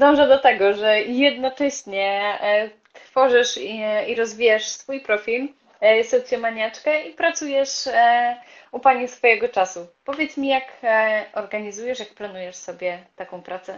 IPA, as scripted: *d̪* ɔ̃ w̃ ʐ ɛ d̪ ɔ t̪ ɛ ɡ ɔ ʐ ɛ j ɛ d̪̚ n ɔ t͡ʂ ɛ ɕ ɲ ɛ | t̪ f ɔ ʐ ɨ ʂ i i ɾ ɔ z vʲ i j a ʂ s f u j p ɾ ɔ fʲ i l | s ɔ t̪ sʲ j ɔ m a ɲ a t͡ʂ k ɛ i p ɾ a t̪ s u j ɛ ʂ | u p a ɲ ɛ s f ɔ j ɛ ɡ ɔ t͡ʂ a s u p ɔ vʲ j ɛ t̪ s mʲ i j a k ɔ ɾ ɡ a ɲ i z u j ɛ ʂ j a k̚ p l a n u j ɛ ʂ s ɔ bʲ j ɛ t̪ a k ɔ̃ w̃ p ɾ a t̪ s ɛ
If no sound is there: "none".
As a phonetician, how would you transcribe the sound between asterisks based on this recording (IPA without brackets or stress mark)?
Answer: d̪